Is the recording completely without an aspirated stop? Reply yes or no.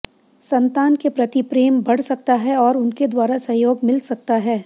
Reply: yes